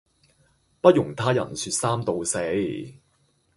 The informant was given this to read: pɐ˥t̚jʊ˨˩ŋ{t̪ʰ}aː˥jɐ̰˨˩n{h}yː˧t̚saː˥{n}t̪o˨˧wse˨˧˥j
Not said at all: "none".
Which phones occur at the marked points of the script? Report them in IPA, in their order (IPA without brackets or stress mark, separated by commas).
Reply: t̪ʰ, s, m